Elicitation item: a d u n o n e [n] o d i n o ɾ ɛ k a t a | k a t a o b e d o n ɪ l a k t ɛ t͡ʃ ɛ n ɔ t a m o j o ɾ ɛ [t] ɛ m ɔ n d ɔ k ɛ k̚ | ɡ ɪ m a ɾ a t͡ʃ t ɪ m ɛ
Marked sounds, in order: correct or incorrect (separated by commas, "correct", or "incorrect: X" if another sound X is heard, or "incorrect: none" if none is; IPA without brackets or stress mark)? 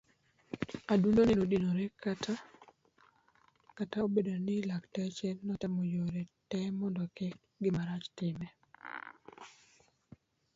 correct, correct